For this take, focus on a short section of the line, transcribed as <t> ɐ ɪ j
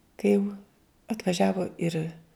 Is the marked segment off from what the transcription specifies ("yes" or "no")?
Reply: yes